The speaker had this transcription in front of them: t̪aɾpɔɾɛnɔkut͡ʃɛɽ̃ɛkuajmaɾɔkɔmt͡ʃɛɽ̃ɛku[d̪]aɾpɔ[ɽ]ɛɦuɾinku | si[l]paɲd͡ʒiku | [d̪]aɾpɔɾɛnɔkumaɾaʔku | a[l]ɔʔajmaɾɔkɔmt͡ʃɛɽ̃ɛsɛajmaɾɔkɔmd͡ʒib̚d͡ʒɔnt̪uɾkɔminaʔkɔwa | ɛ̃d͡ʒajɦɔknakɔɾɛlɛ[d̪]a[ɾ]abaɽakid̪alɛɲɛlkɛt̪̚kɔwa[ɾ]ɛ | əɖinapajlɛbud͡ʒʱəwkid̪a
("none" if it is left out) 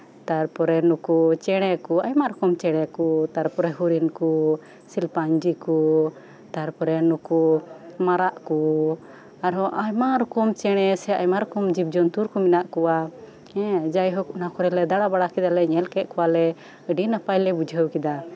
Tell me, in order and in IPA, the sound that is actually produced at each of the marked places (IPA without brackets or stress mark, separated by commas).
t̪, ɾ, l, t̪, ɾ, d̪, ɽ, l